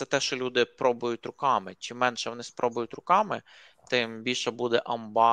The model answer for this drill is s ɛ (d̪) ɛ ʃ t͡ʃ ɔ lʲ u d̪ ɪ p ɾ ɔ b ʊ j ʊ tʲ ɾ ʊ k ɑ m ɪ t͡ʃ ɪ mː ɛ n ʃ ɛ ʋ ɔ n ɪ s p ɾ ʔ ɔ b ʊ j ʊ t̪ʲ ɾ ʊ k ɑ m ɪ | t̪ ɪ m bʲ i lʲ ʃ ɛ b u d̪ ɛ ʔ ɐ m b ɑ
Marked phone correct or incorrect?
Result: incorrect